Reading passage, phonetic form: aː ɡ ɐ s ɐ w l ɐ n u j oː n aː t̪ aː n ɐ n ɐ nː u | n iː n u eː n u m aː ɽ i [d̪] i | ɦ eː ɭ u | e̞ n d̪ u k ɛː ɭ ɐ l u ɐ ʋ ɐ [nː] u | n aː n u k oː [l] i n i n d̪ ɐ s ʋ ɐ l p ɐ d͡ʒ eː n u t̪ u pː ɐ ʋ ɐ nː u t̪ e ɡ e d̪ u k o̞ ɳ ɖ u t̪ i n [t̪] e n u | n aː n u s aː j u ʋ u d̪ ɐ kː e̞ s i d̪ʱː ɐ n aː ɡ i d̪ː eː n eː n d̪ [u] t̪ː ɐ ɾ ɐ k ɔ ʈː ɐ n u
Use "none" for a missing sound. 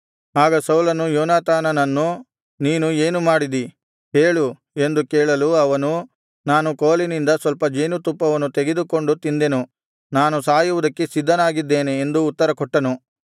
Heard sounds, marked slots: d̪, n, l, d̪, uː

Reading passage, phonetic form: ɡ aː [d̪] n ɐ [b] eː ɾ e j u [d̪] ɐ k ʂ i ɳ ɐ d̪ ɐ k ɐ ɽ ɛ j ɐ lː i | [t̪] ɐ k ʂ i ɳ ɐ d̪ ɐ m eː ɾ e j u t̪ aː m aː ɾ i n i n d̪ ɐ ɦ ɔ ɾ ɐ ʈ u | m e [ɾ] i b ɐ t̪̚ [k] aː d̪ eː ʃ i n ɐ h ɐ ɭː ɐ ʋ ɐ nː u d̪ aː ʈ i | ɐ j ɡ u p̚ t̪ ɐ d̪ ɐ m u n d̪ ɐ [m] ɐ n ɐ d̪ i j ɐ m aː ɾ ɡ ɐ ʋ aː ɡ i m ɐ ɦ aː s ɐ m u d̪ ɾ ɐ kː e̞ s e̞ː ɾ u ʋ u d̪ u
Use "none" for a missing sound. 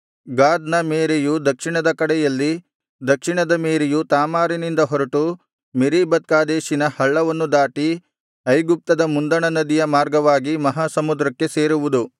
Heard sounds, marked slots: d̪, m, d̪, d̪, ɾ, k, ɳ

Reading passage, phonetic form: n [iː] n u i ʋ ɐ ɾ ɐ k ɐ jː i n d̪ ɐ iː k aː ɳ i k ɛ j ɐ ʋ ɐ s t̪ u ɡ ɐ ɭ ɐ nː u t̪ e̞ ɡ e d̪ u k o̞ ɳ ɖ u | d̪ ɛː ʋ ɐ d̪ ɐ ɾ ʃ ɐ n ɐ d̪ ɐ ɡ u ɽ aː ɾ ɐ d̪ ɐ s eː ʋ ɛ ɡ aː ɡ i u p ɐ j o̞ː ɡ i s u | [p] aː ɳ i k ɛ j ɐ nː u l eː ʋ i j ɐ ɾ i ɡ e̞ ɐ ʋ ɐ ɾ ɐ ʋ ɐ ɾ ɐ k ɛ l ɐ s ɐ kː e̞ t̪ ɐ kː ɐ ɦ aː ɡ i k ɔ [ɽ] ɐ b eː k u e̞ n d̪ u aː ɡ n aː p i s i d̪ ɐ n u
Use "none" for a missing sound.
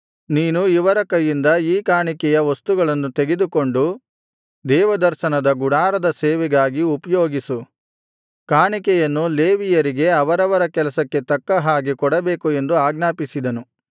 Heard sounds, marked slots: iː, k, ɽ

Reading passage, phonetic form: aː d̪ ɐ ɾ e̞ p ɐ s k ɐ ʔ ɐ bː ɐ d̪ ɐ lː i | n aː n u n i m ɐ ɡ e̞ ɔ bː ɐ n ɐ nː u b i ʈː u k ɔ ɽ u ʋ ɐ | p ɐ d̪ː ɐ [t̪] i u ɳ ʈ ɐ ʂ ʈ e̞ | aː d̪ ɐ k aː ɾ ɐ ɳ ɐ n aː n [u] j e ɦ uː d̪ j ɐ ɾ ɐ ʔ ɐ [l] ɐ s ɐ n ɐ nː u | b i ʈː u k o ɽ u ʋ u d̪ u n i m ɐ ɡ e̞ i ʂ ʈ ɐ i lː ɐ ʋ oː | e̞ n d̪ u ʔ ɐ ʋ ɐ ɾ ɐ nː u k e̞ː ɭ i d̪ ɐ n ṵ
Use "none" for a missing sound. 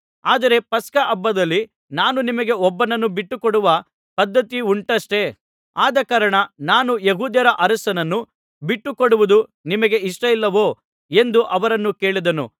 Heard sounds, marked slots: t̪, u, ɾ

